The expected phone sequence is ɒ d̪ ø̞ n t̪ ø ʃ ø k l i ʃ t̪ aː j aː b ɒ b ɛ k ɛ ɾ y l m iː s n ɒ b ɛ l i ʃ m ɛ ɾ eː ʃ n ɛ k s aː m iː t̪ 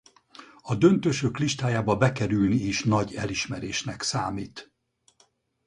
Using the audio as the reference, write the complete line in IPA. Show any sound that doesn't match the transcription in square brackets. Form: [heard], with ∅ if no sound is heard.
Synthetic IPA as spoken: ɒ d̪ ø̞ n t̪ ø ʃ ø k l i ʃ t̪ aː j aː b ɒ b ɛ k ɛ ɾ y l [n] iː [ʃ] n ɒ [ɟ] ɛ l i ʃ m ɛ ɾ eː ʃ n ɛ k s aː m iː t̪